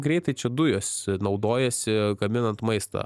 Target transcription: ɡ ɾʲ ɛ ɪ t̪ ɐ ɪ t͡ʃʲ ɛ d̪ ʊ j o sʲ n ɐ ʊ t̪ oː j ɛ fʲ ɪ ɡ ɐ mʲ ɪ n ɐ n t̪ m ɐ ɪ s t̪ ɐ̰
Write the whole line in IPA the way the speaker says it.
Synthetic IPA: ɡ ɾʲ ɛ ɪ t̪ ɐ ɪ t͡ʃʲ ɛ d̪ ʊ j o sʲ n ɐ ʊ d̪ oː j ɛ sʲ ɪ ɡ ɐ mʲ ɪ n ɐ n t̪ m ɐ ɪ s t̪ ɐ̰